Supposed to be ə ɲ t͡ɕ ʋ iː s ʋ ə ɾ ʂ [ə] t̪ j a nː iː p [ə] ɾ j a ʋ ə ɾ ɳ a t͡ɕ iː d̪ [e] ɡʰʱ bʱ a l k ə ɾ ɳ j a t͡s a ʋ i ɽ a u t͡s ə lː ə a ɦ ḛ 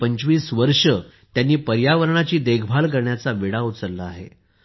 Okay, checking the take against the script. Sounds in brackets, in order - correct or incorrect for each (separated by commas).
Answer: correct, correct, correct